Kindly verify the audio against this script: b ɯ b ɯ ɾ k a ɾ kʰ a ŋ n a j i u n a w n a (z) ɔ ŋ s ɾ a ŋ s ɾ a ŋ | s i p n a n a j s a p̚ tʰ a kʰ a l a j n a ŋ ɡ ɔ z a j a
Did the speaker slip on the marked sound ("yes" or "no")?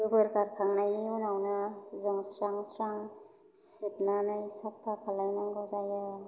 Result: no